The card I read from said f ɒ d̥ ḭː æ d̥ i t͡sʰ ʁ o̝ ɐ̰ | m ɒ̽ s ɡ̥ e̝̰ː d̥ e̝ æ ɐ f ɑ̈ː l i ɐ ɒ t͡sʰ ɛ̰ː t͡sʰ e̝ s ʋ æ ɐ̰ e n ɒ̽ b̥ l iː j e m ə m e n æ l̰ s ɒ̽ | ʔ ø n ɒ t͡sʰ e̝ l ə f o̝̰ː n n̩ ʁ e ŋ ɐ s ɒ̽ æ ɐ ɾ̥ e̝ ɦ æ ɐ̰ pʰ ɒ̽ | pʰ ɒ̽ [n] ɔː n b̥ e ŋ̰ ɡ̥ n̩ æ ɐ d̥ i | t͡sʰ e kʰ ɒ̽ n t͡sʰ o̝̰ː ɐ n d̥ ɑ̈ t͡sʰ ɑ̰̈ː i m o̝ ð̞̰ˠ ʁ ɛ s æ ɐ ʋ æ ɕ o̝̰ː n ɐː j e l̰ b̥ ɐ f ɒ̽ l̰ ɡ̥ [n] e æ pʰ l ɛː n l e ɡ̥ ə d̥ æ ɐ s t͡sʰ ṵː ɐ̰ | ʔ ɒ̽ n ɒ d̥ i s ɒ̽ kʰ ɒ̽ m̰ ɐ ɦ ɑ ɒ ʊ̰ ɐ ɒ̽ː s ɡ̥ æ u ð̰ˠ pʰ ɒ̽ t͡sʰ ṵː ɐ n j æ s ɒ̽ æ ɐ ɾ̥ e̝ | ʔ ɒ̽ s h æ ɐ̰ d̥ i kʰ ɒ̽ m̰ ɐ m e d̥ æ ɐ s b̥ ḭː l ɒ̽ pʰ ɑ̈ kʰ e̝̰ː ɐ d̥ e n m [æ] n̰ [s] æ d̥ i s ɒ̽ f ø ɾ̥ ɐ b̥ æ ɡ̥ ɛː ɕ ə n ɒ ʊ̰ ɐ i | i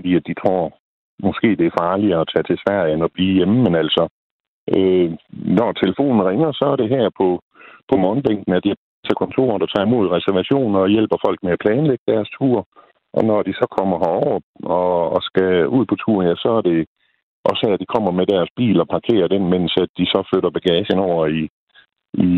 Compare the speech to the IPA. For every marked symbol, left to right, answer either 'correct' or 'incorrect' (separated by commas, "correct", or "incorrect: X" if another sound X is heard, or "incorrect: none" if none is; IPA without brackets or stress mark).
incorrect: m, incorrect: m, incorrect: e, correct